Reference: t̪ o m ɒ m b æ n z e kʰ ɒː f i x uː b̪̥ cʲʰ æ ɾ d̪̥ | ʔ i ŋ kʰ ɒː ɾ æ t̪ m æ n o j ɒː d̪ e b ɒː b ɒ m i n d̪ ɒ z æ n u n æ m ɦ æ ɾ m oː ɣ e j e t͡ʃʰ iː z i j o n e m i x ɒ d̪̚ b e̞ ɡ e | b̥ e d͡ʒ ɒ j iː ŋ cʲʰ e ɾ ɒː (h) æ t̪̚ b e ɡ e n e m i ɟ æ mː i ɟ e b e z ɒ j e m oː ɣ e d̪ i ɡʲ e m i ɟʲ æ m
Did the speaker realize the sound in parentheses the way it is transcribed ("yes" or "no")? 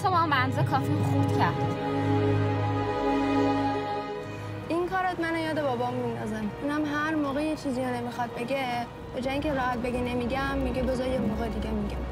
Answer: yes